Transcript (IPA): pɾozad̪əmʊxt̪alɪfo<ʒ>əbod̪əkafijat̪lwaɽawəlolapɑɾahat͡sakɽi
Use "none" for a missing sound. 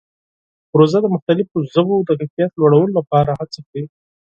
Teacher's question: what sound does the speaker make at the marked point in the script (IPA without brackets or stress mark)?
z